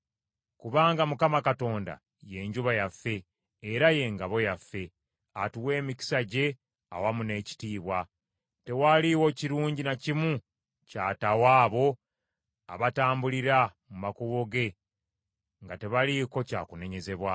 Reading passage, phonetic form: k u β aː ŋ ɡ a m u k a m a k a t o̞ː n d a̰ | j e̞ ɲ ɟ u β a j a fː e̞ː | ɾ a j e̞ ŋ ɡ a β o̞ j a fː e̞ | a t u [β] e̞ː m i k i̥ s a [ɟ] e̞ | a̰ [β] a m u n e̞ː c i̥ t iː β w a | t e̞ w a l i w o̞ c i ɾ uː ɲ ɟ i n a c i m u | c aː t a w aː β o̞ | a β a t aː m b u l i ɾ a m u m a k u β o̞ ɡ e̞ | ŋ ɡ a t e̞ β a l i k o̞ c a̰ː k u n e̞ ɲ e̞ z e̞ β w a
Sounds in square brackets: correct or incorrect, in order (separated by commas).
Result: incorrect, correct, incorrect